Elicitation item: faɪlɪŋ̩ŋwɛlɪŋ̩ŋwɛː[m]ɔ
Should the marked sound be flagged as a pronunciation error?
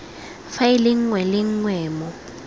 no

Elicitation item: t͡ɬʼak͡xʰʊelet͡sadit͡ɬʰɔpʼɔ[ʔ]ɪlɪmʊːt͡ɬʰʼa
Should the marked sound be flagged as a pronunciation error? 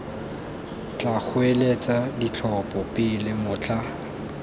yes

